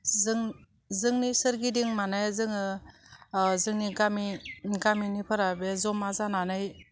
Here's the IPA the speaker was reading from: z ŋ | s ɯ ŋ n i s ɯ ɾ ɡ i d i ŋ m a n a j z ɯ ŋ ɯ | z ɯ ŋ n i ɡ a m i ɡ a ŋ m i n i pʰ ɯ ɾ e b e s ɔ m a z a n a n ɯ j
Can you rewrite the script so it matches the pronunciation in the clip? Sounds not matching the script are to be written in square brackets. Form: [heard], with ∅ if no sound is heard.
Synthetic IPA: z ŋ | [z] ɯ ŋ n i s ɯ ɾ ɡ i d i ŋ m a n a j z ɯ ŋ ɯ | z ɯ ŋ n i ɡ a m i ɡ a [∅] m i n i pʰ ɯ ɾ [a] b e [z] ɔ m a z a n a n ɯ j

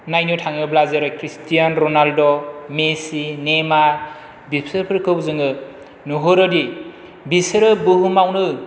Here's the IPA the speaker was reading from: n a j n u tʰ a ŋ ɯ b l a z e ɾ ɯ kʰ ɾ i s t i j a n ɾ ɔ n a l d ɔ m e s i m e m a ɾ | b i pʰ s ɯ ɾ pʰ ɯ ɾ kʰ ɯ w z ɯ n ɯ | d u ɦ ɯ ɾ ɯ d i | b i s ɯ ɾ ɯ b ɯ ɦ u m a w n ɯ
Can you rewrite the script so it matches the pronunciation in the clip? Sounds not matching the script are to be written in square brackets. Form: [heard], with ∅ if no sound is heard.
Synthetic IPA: n a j n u tʰ a ŋ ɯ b l a z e ɾ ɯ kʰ ɾ i s t i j a n ɾ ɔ n a l d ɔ m e s i [n] e m a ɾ | b i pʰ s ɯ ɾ pʰ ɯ ɾ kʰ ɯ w z ɯ [ŋ] ɯ | [n] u ɦ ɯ ɾ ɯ d i | b i s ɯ ɾ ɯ b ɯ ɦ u m a w n ɯ

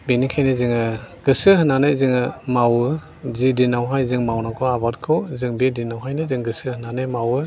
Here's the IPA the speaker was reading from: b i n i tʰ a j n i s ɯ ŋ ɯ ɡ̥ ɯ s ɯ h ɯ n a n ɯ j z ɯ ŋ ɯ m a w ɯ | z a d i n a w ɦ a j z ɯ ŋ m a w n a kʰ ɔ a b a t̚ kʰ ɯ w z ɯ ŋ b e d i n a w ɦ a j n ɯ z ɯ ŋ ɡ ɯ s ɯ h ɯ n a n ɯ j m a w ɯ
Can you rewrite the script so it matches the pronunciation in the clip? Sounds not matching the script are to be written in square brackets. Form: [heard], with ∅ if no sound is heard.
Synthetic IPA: b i n i [kʰ] a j n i [z] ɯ ŋ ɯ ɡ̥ ɯ s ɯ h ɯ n a n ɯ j z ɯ ŋ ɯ m a w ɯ | z [i] d i n a w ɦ a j z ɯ ŋ m a w n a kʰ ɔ a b a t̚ kʰ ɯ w z ɯ ŋ b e d i n a w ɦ a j n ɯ z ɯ ŋ ɡ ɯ s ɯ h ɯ n a n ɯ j m a w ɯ

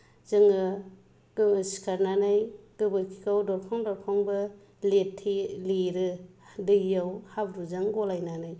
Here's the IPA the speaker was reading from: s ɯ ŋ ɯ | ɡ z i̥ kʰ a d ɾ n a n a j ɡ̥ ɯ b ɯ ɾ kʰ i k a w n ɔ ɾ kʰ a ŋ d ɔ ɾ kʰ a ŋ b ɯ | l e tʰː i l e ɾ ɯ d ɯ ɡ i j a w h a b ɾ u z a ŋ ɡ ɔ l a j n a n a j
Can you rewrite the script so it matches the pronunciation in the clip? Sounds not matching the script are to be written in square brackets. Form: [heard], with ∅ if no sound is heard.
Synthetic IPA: [z] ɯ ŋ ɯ | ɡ [s] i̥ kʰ a [∅] ɾ n a n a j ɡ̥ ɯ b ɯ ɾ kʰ i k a w [d] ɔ ɾ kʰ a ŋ d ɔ ɾ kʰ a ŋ b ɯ | l e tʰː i l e ɾ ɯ d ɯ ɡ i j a w h a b ɾ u z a ŋ ɡ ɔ l a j n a n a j

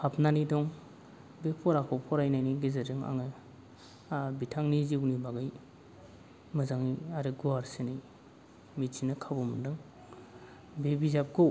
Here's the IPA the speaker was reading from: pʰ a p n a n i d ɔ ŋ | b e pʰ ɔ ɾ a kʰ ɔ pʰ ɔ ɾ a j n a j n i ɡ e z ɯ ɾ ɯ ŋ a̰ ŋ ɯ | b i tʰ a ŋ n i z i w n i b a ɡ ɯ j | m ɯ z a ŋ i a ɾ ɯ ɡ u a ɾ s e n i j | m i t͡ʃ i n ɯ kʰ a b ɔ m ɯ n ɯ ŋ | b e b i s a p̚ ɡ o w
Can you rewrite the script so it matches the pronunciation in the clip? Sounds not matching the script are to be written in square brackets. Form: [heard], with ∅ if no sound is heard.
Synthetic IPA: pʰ a p n a n i d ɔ ŋ | b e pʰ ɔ ɾ a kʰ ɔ pʰ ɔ ɾ a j n a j n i ɡ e z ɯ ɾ ɯ ŋ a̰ ŋ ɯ | b i tʰ a ŋ n i z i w n i b a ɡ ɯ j | m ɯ z a ŋ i a ɾ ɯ ɡ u a ɾ s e n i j | m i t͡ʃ i n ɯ kʰ a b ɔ m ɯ [d] ɯ ŋ | b e b i [z] a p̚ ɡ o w

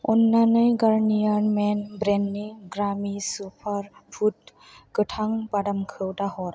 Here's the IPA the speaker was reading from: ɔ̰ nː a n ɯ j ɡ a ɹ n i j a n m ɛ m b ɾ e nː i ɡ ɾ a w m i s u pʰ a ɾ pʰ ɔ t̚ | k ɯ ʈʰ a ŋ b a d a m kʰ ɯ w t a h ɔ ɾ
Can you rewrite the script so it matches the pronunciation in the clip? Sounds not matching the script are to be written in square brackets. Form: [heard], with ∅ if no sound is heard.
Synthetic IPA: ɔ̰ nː a n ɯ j ɡ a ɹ n i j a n m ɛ [n] b ɾ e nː i ɡ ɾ a [∅] m i s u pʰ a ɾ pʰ [u] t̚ | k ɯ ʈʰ a ŋ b a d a m kʰ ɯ w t a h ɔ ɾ

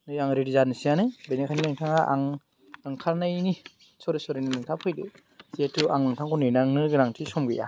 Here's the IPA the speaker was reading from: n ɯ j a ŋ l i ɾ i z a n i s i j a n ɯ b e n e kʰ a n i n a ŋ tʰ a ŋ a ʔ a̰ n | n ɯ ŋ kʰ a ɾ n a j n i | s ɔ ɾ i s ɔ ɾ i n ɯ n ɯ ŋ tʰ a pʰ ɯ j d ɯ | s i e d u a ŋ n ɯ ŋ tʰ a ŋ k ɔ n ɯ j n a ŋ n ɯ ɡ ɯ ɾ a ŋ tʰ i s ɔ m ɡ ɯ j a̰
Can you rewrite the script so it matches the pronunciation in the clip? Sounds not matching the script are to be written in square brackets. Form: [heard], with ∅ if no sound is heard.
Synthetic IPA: n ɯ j a ŋ [ɾ] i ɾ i z a n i s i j a n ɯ b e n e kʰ a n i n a ŋ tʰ a ŋ a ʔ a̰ [ŋ] | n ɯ ŋ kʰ a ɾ n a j n i | s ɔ ɾ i s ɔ ɾ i n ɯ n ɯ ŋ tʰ a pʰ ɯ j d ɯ | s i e [t] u a ŋ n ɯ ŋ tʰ a ŋ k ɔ n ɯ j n a ŋ n ɯ ɡ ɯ ɾ a ŋ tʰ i s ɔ m ɡ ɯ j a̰

